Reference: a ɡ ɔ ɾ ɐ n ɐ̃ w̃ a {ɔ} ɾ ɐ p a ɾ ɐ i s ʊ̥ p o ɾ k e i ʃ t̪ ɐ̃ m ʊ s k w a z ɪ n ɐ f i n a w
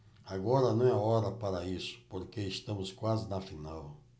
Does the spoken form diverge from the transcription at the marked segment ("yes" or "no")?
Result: no